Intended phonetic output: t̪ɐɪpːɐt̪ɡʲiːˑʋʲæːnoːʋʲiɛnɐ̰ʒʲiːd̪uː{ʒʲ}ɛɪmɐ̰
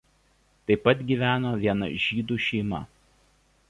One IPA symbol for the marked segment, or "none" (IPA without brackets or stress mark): ʃʲ